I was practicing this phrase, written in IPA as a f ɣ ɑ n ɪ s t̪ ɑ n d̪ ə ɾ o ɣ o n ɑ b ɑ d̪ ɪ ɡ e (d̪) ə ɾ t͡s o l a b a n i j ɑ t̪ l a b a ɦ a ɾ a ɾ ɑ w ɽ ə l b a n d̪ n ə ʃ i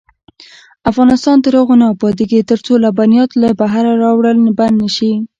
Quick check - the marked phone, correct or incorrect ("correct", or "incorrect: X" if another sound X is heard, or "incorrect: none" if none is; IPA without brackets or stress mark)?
incorrect: t̪